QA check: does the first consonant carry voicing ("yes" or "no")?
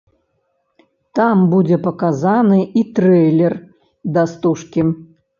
no